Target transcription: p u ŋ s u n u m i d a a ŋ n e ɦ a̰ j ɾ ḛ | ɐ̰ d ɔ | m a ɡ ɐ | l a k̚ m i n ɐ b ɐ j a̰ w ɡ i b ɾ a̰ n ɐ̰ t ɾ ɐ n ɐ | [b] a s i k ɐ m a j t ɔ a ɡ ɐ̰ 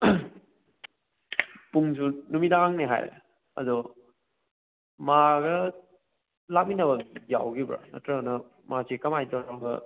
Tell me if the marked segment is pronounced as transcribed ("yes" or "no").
no